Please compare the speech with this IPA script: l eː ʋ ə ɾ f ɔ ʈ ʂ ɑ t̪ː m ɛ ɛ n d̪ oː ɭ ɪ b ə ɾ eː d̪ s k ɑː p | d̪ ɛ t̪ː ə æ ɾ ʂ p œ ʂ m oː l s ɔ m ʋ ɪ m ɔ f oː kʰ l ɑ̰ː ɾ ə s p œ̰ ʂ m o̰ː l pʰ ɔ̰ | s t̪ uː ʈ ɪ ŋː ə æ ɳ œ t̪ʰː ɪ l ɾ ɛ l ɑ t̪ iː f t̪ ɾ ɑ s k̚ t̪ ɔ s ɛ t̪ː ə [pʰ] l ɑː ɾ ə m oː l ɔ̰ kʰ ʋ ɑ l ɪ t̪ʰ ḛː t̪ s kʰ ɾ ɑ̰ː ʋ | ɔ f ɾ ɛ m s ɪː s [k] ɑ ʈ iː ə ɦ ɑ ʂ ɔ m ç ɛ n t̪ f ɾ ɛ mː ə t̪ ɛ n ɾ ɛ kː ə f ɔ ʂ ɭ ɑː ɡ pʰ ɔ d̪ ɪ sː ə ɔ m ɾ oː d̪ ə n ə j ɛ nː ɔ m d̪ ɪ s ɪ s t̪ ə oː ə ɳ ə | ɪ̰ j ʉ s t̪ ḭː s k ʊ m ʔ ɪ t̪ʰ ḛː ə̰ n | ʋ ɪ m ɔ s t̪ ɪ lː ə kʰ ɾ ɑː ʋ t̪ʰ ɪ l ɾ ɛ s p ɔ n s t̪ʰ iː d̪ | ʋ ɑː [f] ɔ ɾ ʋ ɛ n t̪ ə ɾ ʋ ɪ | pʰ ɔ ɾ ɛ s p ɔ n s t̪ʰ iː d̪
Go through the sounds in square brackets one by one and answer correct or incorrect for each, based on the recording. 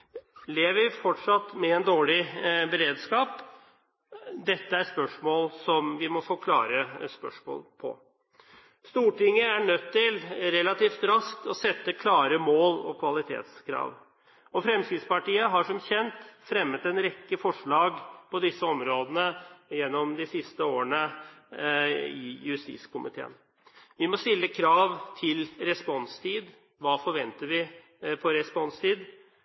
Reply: incorrect: kʰ, incorrect: p, correct

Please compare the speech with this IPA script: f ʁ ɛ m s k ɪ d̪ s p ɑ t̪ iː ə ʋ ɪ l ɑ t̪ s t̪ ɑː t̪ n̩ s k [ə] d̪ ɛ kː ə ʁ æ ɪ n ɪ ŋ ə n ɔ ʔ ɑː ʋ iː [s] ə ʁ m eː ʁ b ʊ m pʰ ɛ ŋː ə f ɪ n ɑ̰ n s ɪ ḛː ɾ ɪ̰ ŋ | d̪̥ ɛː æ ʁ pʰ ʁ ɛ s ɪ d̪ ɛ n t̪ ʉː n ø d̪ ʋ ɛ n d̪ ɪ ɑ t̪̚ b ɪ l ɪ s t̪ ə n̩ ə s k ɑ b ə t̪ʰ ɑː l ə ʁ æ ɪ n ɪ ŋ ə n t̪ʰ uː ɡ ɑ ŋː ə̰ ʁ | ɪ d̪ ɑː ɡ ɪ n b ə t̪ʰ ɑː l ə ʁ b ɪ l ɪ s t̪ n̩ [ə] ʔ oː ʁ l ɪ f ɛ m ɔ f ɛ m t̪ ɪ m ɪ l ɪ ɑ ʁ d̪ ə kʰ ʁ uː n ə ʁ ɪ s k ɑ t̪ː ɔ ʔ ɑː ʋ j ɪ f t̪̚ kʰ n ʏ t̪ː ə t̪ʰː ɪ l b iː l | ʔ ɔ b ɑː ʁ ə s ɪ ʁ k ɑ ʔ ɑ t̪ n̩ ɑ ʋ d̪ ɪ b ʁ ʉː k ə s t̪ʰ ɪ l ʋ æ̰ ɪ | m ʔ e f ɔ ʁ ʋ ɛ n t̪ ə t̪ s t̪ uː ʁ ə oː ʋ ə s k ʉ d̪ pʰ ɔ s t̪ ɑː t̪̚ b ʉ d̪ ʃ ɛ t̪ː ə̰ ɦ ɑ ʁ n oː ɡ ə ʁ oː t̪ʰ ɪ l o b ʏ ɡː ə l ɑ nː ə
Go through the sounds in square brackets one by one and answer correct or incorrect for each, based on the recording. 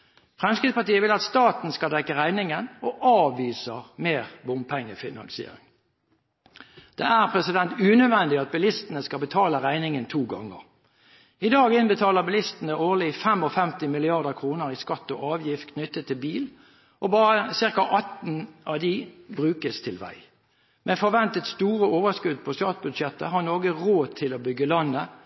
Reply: incorrect: ɑ, correct, correct

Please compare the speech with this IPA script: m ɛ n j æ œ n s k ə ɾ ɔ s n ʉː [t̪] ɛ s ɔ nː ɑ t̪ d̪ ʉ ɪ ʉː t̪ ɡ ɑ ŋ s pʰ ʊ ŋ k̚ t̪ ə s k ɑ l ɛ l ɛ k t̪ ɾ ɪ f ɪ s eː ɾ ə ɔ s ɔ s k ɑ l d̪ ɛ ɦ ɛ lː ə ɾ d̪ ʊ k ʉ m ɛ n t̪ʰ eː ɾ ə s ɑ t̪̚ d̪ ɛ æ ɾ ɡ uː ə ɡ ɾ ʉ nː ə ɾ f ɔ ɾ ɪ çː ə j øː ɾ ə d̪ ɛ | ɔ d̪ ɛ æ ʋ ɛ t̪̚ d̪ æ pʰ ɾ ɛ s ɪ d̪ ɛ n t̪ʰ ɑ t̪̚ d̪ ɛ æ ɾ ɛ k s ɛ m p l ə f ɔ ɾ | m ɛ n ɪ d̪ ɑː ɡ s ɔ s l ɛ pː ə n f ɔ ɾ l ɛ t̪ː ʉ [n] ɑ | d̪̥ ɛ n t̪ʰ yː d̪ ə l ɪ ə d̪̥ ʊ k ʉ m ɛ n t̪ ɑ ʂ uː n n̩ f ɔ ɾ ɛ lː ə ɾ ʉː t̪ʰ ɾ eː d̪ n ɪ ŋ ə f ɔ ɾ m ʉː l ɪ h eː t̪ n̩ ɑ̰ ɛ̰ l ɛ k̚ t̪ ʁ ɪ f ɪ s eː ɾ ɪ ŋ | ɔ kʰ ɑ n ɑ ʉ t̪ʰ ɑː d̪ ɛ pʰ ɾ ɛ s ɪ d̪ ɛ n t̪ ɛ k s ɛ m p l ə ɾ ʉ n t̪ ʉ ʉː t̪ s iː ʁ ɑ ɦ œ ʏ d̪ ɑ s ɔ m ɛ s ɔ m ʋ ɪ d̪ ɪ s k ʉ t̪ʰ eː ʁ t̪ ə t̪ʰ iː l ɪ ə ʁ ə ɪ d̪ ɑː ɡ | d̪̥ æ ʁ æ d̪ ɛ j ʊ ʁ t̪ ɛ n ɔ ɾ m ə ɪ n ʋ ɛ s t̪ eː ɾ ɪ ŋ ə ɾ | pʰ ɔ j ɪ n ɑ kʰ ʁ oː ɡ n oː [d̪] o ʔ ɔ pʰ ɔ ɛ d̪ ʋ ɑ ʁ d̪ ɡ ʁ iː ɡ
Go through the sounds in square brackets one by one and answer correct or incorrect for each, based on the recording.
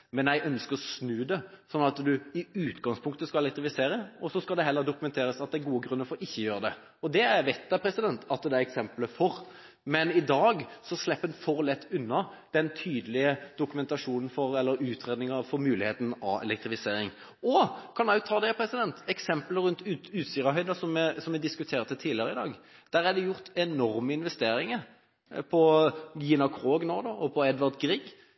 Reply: incorrect: d̪, incorrect: nː, correct

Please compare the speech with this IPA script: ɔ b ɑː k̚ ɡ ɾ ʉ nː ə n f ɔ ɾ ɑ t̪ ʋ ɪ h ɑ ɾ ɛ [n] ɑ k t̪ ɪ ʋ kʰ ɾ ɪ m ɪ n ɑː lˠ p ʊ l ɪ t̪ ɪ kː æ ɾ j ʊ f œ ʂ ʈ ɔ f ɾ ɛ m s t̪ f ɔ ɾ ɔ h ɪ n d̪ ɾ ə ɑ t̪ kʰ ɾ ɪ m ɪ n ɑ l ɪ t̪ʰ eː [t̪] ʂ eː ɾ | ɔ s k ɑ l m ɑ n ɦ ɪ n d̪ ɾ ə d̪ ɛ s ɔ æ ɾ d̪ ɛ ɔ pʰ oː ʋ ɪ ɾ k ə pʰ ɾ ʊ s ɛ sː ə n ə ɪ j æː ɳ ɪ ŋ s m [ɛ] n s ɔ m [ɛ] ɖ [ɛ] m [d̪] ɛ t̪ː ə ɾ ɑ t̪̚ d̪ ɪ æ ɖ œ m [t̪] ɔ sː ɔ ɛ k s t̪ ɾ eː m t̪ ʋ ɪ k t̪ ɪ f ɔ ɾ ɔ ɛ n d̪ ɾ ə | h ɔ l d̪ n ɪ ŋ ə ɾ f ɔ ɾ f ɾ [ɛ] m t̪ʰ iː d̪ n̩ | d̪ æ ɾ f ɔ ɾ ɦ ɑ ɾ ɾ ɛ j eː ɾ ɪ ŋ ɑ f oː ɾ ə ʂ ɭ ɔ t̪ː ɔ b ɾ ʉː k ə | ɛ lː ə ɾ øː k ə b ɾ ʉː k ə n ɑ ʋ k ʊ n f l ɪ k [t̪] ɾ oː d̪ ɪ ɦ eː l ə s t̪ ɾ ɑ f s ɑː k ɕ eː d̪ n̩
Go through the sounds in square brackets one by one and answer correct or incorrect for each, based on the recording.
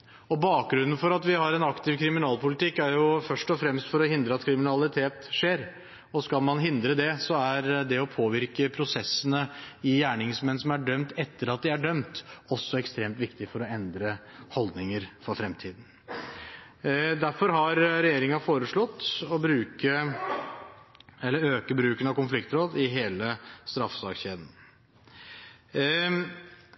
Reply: correct, correct, correct, incorrect: æ, incorrect: œ, incorrect: t̪, correct, correct, correct

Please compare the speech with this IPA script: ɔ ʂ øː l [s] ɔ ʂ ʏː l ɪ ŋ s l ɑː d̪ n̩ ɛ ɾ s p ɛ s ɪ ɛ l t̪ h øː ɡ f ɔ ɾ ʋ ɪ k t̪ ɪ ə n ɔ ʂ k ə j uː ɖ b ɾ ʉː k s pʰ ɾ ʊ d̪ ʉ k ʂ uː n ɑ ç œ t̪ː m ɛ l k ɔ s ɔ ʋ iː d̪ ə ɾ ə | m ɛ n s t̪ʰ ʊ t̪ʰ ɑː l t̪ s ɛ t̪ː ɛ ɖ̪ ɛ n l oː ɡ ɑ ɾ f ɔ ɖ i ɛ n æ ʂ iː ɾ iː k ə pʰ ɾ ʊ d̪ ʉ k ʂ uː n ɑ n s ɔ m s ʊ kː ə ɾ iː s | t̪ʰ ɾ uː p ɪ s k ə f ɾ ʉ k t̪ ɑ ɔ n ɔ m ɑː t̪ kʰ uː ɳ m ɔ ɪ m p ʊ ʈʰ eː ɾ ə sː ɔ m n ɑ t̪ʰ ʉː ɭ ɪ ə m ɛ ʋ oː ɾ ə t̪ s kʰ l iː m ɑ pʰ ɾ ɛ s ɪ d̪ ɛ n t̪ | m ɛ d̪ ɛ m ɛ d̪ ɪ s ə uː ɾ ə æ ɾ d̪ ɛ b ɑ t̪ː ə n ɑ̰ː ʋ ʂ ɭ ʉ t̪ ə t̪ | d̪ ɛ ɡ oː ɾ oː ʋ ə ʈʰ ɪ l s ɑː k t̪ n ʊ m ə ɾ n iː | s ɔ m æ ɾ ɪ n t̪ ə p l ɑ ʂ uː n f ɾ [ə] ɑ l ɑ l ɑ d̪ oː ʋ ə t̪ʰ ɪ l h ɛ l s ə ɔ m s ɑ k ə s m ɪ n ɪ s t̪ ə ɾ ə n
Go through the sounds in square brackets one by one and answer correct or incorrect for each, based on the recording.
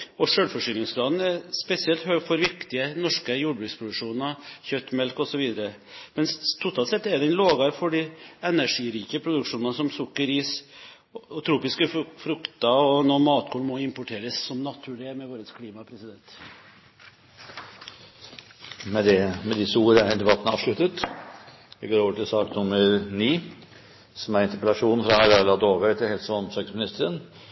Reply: incorrect: f, incorrect: ɑ

